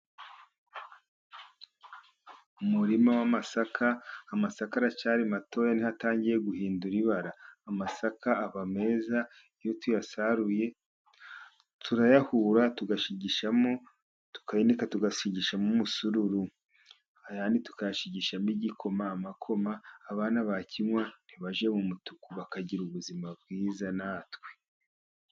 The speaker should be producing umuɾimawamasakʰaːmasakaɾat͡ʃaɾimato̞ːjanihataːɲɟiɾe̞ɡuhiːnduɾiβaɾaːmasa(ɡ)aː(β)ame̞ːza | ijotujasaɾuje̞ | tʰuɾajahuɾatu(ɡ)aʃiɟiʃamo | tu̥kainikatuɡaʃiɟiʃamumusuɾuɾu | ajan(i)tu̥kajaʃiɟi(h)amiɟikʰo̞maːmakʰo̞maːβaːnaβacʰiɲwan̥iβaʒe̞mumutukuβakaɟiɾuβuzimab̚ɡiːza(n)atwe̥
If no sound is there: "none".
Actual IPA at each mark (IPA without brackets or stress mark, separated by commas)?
k, β, ɡ, i, ʃ, n